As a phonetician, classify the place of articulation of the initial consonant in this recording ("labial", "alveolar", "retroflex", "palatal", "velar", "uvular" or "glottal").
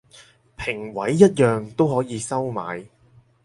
labial